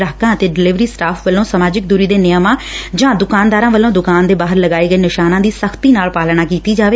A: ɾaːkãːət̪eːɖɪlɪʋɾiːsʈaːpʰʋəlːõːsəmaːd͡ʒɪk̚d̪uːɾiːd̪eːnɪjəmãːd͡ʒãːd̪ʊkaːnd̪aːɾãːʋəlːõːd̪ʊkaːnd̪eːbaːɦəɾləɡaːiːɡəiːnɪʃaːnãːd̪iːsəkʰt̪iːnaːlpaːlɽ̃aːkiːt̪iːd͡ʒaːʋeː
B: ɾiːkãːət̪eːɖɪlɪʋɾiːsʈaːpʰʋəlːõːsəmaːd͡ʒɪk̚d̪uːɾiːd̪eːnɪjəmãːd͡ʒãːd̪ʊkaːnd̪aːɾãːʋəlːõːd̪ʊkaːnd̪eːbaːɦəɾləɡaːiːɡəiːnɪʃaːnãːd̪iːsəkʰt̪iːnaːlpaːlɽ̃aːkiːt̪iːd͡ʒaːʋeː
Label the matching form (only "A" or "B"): A